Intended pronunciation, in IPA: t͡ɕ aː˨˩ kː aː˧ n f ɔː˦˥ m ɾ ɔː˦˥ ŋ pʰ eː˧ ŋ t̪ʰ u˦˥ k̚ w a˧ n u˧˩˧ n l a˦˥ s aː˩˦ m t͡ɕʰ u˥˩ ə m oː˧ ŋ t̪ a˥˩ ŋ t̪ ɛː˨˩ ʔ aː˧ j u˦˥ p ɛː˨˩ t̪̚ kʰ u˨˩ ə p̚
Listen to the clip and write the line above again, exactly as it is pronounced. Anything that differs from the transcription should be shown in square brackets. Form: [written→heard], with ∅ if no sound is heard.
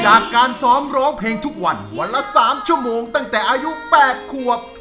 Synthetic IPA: t͡ɕ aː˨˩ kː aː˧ n [f→s] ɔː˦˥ m ɾ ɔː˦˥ ŋ pʰ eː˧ ŋ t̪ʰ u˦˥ k̚ w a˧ n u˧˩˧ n l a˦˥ s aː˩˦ m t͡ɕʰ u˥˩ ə m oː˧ ŋ t̪ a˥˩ ŋ t̪ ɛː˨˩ ʔ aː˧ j u˦˥ p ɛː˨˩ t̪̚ kʰ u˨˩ ə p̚